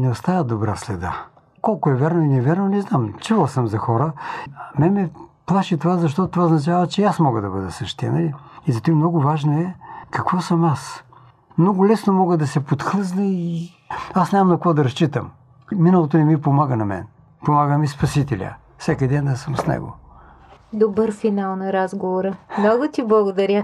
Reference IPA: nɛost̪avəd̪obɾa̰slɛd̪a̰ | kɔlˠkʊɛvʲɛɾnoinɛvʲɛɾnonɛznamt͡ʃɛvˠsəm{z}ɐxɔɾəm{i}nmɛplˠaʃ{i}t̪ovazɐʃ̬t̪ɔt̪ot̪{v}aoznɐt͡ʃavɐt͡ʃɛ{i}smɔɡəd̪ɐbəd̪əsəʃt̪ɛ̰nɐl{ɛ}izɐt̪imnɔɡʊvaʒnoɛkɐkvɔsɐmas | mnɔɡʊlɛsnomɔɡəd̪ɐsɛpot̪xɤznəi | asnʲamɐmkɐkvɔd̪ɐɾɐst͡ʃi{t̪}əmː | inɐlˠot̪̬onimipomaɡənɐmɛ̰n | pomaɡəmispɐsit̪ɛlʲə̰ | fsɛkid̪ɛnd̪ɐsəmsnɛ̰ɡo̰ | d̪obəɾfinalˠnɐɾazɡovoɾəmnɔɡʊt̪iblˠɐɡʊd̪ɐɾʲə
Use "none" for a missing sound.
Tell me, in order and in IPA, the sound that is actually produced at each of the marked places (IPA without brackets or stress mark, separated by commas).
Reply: z, ɛ, i, v, a, i, t̪